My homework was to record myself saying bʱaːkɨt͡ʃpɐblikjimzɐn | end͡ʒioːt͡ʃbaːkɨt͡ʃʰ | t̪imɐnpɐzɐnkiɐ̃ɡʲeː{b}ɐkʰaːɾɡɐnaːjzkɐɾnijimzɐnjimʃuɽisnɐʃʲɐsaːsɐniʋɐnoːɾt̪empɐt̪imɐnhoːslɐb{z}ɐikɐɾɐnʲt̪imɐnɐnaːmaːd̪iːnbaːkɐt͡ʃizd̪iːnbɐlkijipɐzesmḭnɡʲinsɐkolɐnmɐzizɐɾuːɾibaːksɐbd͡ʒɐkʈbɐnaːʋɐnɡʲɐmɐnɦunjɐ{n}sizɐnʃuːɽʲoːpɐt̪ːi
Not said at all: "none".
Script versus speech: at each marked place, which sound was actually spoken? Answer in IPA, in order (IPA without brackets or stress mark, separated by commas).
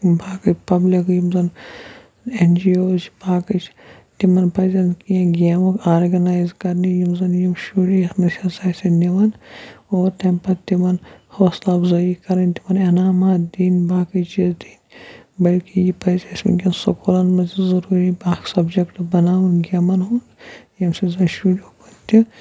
m, z, m